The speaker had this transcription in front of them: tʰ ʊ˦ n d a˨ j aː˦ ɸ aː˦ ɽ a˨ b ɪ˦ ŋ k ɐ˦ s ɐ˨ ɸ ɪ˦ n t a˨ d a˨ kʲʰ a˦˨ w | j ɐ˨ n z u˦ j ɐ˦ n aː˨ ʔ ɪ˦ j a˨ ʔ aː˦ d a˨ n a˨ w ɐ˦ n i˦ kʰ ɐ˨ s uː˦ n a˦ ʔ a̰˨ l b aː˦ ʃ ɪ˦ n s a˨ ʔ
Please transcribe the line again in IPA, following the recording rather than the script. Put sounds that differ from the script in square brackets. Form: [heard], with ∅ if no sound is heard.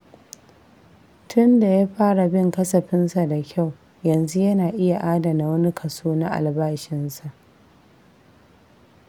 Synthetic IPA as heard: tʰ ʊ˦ n d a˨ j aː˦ ɸ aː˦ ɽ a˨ b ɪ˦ ŋ k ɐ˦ s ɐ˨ ɸ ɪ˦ n [s] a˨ d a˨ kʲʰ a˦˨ w | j ɐ˨ n z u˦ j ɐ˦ n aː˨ ʔ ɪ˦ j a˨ ʔ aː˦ d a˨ n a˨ w ɐ˦ n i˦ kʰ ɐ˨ s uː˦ n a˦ ʔ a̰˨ l b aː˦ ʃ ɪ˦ n s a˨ ʔ

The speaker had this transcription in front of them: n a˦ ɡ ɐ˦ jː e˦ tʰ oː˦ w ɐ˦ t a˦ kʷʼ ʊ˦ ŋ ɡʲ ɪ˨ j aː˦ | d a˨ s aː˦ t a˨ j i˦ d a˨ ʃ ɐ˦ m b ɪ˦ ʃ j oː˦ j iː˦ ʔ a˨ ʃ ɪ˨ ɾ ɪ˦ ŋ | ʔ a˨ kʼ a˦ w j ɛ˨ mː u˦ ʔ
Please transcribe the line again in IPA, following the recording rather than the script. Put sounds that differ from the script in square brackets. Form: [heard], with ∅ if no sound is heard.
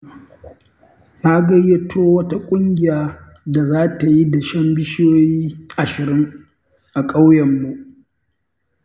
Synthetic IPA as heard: n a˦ ɡ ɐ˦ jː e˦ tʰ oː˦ w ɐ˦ t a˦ kʷʼ ʊ˦ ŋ ɡʲ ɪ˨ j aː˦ | d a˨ [z] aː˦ t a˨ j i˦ d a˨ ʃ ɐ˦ m b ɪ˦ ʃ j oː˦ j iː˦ ʔ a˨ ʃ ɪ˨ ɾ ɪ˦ ŋ | ʔ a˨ kʼ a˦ w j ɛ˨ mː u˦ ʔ

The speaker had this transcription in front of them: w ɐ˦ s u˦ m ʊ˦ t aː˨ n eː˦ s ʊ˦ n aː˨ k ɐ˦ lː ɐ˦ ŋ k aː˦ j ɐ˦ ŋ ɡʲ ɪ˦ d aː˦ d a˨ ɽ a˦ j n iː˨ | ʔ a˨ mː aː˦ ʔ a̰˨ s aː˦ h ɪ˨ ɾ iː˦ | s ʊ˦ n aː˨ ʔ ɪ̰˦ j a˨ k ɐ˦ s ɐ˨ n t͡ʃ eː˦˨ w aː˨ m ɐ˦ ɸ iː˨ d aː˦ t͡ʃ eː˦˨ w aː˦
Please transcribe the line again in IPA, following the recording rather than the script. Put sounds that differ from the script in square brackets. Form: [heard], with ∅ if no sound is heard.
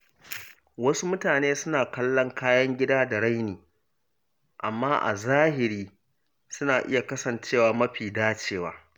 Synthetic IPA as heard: w ɐ˦ s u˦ m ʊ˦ t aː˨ n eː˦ s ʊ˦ n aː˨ k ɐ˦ lː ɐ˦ ŋ k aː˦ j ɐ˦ ŋ ɡʲ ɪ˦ d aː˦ d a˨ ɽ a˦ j n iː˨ | ʔ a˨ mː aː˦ ʔ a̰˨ [z] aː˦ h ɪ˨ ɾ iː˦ | s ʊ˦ n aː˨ ʔ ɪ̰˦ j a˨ k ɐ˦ s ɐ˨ n t͡ʃ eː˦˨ w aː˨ m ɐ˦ ɸ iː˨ d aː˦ t͡ʃ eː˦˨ w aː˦

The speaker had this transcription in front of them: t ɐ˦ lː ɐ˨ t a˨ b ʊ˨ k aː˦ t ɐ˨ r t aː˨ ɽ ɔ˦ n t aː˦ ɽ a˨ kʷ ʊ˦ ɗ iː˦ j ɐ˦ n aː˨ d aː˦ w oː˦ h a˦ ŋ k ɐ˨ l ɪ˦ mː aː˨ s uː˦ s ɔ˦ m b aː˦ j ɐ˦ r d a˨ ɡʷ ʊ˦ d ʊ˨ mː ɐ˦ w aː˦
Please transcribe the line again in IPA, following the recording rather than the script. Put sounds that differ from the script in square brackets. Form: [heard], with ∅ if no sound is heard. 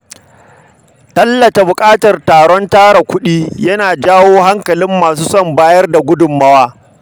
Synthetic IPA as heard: t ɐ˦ lː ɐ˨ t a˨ b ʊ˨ [kʼ] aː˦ t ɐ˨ r t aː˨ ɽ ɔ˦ n t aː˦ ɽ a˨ kʷ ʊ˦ ɗ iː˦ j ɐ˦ n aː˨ [d͡ʒ] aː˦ w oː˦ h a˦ ŋ k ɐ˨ l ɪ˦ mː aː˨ s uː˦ s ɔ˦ m b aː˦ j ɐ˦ r d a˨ ɡʷ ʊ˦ d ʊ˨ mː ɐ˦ w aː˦

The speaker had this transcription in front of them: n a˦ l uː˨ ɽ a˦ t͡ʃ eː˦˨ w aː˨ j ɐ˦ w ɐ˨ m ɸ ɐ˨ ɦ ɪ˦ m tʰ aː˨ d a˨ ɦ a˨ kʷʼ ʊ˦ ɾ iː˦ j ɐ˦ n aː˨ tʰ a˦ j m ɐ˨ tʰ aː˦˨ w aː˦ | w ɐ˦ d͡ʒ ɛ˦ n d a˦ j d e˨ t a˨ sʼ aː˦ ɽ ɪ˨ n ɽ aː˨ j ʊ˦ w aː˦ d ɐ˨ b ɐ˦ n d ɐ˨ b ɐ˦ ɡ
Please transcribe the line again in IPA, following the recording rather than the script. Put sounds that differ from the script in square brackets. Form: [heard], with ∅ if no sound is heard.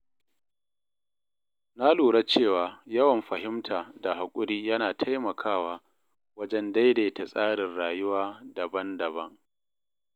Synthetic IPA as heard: n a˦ l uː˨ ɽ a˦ t͡ʃ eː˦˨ w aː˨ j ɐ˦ w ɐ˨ m ɸ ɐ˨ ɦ ɪ˦ m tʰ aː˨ d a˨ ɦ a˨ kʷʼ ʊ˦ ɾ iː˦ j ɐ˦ n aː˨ tʰ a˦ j m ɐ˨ [kʰ] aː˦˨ w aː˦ | w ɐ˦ d͡ʒ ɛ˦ n d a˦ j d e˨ t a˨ sʼ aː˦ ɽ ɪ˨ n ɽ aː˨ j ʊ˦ w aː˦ d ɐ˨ b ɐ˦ n d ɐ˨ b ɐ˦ [ŋ]

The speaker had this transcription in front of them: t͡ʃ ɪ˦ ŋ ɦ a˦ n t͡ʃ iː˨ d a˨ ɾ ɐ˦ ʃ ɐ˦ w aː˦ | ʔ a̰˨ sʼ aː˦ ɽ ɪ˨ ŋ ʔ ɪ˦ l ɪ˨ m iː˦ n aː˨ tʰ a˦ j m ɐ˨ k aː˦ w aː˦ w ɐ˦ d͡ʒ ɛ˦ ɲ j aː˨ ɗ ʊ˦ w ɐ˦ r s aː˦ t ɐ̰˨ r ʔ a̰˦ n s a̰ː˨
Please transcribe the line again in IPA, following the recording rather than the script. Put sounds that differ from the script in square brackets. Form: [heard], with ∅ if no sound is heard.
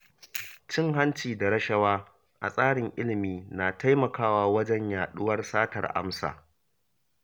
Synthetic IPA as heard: t͡ʃ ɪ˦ ŋ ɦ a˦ n t͡ʃ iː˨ d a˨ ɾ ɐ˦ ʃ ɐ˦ w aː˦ | ʔ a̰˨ sʼ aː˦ ɽ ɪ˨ ŋ ʔ ɪ˦ l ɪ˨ m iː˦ n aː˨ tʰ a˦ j m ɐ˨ k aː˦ w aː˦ w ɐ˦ d͡ʒ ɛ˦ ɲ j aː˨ ɗ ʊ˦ w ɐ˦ r s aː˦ t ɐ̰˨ r ʔ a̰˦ [m] s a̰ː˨

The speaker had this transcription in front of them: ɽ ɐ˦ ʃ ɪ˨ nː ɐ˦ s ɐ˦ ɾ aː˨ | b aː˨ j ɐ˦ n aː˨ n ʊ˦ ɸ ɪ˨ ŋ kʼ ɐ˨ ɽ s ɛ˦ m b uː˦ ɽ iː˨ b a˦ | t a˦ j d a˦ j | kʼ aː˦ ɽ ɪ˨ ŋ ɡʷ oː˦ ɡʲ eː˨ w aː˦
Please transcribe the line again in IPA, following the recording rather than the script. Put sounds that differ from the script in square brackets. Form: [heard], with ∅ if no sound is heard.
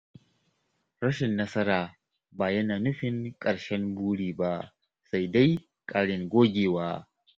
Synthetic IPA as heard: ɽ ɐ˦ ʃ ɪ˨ nː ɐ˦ s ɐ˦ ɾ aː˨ | b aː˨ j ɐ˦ n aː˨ n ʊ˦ ɸ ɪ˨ ŋ kʼ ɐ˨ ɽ [ʃ] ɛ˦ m b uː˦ ɽ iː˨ b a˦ | [s] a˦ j d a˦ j | kʼ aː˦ ɽ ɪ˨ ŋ ɡʷ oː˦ ɡʲ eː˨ w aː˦

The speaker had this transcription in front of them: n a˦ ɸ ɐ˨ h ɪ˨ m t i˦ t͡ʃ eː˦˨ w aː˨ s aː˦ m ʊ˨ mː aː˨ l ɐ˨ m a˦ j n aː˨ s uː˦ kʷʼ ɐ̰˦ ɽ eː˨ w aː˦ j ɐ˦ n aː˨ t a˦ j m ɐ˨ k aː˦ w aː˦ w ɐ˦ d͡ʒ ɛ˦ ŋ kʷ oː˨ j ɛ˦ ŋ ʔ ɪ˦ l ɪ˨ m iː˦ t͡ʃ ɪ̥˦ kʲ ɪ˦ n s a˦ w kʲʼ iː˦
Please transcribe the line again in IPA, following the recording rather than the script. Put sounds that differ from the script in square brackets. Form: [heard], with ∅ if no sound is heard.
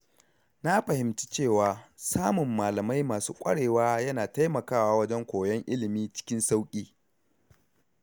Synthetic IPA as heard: n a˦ ɸ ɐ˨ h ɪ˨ m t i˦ t͡ʃ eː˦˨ w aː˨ s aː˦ m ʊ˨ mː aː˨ l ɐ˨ m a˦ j [m] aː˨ s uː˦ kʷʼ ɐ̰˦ ɽ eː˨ w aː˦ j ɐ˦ n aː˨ t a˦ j m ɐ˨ k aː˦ w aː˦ w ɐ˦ d͡ʒ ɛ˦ ŋ kʷ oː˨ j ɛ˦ ŋ ʔ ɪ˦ l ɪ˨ m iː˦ t͡ʃ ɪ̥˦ kʲ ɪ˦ n s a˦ w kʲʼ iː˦

